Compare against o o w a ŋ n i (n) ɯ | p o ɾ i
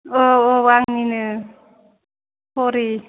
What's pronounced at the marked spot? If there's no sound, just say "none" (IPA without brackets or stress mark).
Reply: n